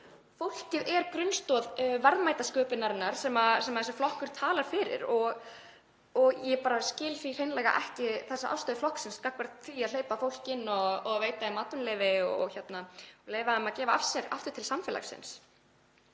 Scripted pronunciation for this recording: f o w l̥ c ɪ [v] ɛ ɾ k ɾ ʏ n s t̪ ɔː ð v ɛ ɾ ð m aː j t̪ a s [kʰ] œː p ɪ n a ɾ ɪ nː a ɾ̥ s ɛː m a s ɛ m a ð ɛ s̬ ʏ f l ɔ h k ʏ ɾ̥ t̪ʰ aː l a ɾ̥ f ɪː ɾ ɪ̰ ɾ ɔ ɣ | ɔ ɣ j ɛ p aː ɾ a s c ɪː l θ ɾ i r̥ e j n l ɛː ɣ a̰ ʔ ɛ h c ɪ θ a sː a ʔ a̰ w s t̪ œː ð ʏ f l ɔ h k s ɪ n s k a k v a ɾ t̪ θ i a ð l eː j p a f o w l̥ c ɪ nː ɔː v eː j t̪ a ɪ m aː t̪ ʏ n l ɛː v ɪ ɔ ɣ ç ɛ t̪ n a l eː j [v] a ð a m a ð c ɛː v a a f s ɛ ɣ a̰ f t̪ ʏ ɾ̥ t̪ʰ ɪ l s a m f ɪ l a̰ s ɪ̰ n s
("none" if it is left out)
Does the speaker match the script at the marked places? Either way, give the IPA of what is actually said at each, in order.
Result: ð, k, v

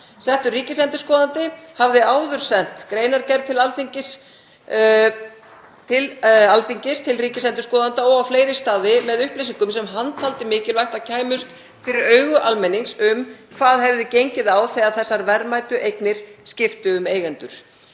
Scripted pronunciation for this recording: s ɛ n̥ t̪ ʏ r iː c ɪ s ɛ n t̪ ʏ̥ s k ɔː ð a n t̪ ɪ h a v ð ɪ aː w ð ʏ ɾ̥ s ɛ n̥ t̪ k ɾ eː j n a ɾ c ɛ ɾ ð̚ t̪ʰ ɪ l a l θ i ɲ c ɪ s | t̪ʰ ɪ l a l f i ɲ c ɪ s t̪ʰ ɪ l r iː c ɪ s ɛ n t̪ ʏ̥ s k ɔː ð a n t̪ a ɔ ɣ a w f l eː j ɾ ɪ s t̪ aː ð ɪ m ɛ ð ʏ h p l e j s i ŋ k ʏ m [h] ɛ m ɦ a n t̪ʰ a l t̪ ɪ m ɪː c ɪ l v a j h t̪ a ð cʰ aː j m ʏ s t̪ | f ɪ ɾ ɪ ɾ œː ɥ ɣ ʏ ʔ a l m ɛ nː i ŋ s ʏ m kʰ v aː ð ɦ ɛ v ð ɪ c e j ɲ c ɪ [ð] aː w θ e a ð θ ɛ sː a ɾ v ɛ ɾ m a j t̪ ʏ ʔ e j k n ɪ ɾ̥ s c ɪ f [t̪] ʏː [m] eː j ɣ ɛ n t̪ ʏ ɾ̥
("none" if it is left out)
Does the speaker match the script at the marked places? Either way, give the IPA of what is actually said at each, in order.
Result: s, ð, t̪, m

